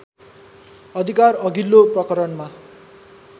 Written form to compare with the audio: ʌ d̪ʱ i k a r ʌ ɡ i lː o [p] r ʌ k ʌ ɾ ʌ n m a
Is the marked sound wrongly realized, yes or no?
no